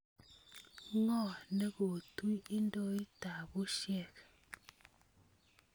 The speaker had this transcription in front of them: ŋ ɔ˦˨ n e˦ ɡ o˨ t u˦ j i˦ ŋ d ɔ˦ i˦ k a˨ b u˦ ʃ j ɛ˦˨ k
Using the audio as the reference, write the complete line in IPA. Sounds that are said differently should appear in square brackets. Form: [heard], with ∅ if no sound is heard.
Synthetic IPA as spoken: ŋ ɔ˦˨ n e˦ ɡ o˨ t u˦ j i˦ [n] d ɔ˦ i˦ [t] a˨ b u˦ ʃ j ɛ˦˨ k